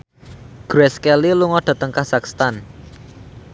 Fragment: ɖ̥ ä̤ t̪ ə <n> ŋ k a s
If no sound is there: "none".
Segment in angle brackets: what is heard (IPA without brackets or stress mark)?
none